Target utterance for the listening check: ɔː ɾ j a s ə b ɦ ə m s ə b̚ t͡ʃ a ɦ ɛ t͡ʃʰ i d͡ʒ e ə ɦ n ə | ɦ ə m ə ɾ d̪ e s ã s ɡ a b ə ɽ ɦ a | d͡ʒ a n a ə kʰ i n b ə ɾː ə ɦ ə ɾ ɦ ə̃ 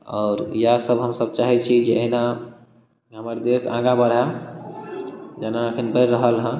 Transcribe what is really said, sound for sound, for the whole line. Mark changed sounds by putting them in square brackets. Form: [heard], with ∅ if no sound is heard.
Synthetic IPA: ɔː ɾ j a s ə b ɦ ə m s ə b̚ t͡ʃ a ɦ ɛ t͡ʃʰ i d͡ʒ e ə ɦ n [a] | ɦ ə m ə ɾ d̪ e s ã [∅] ɡ a b ə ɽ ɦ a | d͡ʒ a n a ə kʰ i n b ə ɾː ə ɦ ə [l] ɦ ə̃